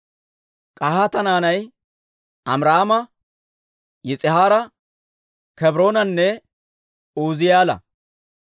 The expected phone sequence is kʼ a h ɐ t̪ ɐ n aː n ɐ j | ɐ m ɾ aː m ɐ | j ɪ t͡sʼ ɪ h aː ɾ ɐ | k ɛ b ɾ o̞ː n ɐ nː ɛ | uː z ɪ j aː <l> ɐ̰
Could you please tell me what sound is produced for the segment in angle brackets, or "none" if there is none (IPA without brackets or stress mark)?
l